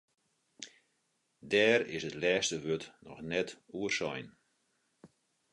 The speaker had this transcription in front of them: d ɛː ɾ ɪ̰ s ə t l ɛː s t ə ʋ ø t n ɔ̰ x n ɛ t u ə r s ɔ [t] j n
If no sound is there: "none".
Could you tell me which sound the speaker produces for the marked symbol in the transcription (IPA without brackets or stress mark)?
none